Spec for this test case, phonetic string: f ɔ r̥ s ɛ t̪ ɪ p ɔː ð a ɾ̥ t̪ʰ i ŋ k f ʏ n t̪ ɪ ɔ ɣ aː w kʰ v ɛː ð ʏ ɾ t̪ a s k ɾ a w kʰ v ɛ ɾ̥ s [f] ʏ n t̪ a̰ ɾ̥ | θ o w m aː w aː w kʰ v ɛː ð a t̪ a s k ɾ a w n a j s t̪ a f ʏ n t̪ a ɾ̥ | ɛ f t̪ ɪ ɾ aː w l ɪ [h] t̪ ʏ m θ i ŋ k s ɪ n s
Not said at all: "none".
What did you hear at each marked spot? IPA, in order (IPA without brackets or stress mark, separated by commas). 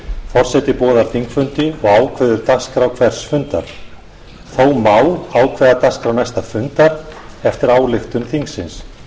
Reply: f, x